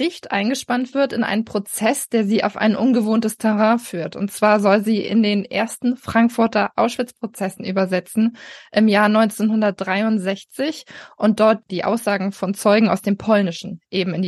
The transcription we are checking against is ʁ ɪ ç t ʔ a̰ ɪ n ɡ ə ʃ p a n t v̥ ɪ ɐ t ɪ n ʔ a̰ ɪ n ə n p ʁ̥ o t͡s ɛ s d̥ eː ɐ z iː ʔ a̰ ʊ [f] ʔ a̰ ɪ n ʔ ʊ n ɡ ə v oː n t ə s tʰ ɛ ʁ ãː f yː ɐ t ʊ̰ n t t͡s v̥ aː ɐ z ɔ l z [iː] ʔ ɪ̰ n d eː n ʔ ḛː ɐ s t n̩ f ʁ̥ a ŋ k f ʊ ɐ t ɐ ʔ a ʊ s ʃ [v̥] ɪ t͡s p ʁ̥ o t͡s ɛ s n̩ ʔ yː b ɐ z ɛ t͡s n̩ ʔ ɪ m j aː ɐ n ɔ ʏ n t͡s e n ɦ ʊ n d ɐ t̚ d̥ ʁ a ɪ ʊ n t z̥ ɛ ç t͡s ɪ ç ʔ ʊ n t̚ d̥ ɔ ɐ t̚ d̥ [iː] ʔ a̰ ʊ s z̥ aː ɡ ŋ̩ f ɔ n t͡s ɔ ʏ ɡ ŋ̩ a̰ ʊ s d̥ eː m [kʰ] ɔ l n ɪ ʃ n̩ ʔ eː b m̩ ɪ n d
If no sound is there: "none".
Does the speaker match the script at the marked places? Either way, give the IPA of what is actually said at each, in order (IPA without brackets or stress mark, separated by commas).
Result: f, iː, v̥, iː, pʰ